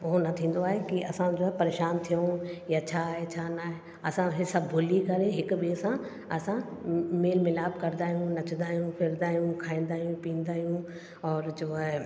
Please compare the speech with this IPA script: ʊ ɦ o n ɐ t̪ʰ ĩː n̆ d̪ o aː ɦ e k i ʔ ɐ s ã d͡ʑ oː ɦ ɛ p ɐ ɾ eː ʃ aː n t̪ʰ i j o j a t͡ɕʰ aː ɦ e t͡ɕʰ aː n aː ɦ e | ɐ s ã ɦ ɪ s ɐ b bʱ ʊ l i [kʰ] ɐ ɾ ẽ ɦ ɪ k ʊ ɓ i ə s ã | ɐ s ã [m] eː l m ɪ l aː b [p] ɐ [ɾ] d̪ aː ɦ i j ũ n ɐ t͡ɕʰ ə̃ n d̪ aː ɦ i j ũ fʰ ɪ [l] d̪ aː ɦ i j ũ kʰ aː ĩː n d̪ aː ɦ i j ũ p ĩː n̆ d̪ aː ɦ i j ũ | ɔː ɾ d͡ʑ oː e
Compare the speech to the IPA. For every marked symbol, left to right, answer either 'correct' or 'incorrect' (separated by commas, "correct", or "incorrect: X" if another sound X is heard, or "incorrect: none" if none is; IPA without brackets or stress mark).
incorrect: k, correct, incorrect: k, correct, incorrect: ɾ